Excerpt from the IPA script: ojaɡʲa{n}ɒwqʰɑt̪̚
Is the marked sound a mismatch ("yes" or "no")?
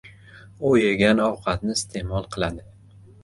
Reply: no